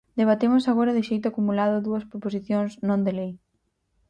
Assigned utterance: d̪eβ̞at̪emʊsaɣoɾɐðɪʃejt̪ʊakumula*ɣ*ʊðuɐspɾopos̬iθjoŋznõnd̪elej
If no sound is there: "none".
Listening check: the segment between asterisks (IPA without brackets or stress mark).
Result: ð